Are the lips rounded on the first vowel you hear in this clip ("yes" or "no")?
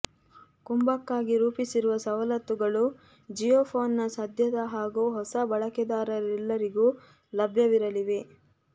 yes